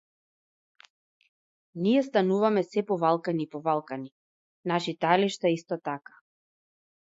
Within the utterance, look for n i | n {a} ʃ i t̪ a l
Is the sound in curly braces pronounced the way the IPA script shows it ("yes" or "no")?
yes